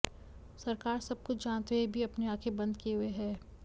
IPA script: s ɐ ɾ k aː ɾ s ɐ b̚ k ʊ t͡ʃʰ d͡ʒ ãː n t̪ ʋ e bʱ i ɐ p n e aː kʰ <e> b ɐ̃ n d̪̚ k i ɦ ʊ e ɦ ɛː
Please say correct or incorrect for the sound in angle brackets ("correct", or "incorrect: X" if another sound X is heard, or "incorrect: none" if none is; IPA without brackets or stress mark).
correct